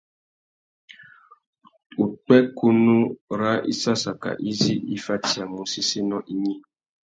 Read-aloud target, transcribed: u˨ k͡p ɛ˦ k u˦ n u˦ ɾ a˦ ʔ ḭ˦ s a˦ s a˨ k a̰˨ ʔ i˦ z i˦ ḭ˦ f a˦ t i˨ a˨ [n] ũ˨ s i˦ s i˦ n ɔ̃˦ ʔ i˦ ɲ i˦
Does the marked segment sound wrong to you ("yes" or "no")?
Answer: yes